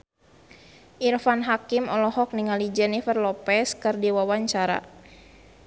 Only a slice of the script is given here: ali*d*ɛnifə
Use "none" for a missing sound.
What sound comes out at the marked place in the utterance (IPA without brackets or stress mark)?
d͡ʒ